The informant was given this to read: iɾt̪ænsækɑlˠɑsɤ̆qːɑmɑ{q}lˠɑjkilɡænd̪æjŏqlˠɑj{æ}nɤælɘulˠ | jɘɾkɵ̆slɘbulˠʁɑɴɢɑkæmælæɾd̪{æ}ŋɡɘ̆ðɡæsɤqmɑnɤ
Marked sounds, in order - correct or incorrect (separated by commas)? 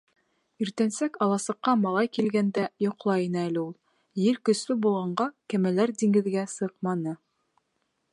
incorrect, incorrect, incorrect